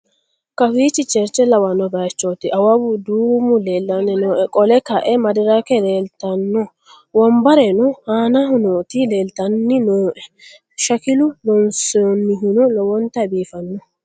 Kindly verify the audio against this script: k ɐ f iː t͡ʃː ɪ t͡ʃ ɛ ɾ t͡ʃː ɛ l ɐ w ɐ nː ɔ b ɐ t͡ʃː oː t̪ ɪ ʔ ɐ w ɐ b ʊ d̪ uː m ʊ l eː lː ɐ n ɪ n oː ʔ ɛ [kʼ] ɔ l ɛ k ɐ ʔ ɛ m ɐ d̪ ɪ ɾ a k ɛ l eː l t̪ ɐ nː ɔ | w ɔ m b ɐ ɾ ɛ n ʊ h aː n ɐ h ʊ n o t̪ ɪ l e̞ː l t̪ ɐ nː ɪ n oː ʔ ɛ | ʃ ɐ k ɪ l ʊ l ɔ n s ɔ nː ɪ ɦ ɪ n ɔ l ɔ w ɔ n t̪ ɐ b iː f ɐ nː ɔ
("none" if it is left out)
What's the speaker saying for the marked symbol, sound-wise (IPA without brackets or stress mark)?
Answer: kʼ